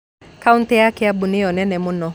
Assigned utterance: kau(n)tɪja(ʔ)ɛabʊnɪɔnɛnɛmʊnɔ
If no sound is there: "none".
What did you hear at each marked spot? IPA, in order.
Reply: n, k

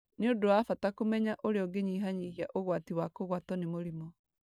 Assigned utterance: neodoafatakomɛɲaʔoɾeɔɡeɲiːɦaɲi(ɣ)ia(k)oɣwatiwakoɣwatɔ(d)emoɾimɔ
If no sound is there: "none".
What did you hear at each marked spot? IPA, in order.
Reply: ɣ, ʔ, n

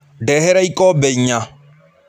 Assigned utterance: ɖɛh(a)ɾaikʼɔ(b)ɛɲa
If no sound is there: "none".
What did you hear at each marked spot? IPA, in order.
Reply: ɛ, b

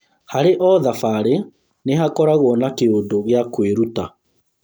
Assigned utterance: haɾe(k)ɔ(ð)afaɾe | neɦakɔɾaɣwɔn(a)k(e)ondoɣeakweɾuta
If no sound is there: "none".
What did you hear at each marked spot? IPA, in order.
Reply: ʔ, ð, a, e

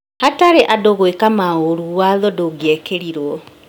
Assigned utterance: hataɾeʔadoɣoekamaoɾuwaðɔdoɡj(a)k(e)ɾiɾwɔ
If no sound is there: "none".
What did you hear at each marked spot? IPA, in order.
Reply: ɛ, e

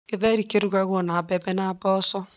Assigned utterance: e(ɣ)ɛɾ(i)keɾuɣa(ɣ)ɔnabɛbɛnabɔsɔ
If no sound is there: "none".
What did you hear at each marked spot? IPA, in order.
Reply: ð, i, ɣ

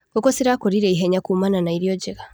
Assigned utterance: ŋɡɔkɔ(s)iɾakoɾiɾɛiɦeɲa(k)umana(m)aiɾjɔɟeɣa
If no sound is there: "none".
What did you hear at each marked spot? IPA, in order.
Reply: s, k, n

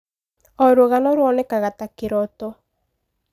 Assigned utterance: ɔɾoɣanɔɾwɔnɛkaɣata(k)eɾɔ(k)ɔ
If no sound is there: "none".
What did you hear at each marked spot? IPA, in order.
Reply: k, t

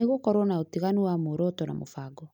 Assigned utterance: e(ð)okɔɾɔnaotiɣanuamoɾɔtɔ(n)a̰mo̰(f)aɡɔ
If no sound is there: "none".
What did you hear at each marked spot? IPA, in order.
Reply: ɣ, n, f

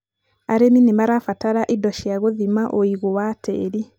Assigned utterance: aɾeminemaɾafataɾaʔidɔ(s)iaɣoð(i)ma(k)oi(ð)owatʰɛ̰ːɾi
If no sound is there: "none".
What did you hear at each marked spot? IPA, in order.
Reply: ʃ, i, ʔ, ɣ

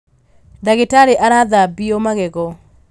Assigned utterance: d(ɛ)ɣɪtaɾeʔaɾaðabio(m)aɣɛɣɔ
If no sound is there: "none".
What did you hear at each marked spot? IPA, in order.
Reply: a, m

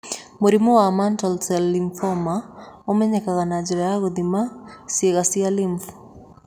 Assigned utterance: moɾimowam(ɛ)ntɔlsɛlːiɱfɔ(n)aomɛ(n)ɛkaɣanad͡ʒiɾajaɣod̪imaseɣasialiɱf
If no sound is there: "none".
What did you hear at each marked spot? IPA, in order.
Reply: a, m, ɲ

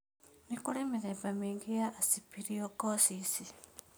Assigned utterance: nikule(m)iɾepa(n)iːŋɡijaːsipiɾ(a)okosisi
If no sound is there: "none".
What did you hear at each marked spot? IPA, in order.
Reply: m, m, i

